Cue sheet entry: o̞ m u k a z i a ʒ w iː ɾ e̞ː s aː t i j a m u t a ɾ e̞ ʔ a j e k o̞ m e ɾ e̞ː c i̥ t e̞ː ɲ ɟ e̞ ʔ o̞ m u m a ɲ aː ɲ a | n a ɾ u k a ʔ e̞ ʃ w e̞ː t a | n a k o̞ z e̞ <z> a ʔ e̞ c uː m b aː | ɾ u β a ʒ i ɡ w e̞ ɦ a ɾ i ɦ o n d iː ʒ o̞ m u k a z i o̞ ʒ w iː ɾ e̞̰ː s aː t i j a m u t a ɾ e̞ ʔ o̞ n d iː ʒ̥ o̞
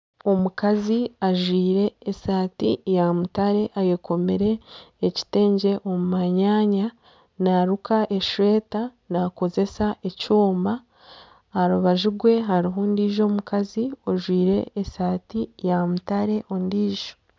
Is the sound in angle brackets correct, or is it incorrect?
incorrect